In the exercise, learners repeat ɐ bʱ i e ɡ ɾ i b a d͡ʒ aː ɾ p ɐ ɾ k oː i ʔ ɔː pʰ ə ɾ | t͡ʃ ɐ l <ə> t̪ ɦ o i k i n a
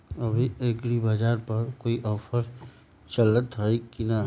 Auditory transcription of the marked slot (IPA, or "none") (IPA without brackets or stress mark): ə